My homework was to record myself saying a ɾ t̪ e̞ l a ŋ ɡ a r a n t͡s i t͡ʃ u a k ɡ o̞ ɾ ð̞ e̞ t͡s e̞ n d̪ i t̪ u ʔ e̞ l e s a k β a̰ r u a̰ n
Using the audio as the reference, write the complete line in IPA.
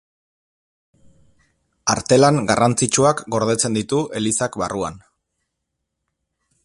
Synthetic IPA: a ɾ t̪ e̞ l a ŋ ɡ a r a n t͡s i t͡ʃ u a k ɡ o̞ ɾ ð̞ e̞ t͡s e̞ n d̪ i t̪ u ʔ e̞ l i s a k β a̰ r u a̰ n